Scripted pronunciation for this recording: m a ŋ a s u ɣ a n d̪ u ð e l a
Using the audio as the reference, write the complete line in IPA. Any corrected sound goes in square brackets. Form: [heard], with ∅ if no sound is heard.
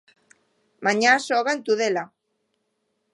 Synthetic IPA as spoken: m a [ɲ] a s [o] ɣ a n [t̪] u ð e l a